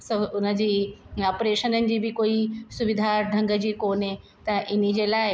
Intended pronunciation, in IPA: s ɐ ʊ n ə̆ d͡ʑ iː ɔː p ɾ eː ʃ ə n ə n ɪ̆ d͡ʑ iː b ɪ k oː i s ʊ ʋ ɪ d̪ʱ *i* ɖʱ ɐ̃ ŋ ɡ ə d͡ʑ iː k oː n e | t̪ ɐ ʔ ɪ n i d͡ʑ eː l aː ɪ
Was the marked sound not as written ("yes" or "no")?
yes